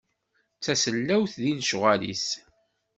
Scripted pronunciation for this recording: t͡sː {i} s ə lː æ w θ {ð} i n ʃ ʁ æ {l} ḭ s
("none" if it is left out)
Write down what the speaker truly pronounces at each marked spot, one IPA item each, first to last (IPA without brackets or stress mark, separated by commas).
æ, ð, l